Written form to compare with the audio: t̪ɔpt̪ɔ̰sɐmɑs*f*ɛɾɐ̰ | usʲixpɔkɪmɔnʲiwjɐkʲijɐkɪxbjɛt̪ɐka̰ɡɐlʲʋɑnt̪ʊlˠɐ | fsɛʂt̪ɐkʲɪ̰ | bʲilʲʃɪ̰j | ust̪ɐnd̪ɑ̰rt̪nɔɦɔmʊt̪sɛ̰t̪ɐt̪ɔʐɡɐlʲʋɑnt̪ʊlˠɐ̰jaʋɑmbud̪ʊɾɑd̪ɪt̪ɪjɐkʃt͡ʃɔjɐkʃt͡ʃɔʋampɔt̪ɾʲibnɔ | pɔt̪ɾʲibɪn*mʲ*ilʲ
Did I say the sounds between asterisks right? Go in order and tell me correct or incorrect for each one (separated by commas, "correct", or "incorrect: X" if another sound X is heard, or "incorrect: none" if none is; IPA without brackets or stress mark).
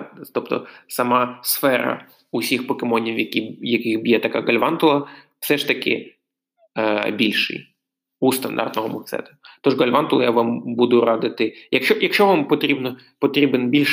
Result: correct, incorrect: bʲ